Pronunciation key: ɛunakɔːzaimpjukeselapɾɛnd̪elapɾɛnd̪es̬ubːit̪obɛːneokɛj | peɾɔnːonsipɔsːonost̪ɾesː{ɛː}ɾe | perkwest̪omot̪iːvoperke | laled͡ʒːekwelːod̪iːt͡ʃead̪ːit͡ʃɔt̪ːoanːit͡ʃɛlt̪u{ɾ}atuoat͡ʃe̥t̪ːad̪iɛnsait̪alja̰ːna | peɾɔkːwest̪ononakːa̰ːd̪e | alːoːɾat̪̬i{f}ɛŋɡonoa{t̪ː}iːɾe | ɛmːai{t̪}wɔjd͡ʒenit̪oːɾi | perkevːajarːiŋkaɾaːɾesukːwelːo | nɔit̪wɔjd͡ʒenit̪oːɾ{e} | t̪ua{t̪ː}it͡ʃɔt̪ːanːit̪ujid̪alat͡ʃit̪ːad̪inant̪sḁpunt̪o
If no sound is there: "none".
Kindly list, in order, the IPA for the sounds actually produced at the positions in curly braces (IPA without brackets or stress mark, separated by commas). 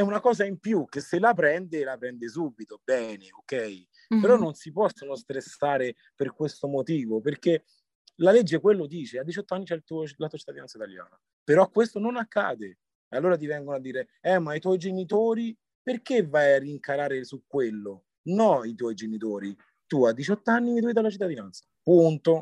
aː, l, v, d̪ː, t̪, i, d̪ː